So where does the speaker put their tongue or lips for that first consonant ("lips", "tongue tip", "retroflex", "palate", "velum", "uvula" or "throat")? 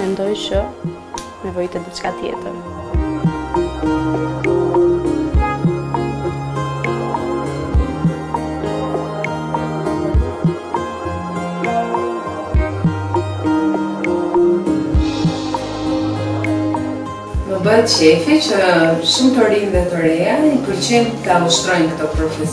lips